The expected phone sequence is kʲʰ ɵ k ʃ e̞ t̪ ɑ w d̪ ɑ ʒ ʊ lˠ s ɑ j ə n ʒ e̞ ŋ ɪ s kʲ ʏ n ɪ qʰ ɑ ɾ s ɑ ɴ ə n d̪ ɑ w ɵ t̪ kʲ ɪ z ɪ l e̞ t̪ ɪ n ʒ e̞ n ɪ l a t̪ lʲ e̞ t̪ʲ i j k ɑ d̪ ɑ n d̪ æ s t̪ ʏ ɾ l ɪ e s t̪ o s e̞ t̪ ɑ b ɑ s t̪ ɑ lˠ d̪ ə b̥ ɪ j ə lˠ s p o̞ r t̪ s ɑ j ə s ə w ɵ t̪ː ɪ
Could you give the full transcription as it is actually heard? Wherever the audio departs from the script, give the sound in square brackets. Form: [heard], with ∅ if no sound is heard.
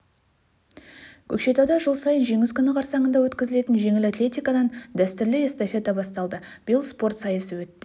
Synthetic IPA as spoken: kʲʰ ɵ k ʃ e̞ t̪ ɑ w d̪ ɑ ʒ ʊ lˠ s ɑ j ə n ʒ e̞ ŋ ɪ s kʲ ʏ n ɪ qʰ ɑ ɾ s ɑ ɴ ə n d̪ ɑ w ɵ t̪ kʲ ɪ z ɪ l e̞ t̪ ɪ n ʒ e̞ [ŋ] ɪ l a t̪ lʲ e̞ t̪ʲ i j k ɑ d̪ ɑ n d̪ æ s t̪ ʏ ɾ l ɪ e s t̪ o [f] e̞ t̪ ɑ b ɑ s t̪ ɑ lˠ d̪ ə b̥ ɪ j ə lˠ s p o̞ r t̪ s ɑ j ə s ə w ɵ t̪ː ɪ